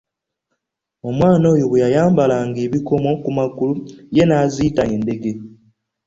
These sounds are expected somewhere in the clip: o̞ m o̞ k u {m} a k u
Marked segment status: correct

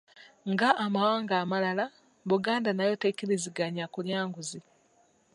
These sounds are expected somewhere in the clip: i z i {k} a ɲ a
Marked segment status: incorrect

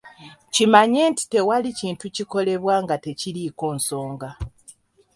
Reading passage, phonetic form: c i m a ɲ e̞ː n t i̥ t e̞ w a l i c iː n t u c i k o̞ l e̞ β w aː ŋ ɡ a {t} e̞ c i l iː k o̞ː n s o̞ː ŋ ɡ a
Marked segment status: correct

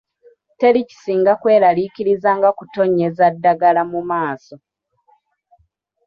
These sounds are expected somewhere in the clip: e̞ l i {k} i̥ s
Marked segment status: incorrect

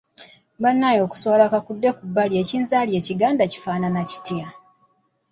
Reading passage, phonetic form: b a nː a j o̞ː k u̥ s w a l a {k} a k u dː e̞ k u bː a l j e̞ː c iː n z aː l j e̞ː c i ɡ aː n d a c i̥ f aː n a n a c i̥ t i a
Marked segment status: correct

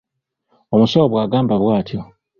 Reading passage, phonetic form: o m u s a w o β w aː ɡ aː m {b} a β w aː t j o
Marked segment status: correct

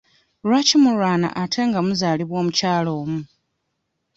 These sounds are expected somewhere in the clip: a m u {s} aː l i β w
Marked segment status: incorrect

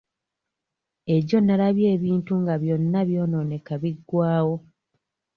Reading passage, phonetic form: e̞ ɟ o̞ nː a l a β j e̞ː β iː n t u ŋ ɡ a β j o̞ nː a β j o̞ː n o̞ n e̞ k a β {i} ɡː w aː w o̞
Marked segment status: correct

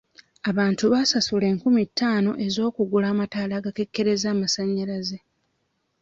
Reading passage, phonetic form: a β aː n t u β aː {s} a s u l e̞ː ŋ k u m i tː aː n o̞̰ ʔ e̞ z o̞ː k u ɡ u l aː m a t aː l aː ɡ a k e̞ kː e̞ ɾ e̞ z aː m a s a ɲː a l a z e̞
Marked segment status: correct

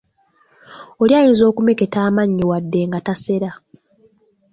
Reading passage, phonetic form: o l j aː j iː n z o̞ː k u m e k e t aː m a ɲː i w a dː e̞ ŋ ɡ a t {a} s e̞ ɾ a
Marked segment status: correct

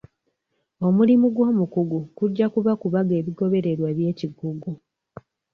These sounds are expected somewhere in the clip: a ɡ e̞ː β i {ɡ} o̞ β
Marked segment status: correct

